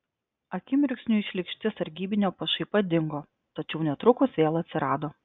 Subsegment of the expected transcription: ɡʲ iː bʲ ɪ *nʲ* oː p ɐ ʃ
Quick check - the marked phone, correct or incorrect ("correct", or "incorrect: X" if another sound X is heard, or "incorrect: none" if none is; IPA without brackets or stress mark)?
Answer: correct